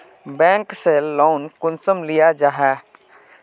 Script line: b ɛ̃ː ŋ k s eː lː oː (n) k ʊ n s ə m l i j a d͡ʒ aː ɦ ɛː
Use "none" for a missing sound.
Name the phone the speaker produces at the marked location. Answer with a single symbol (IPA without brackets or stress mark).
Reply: n